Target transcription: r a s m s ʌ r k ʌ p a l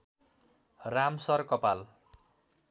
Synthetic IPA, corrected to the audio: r a m s ʌ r k ʌ p a l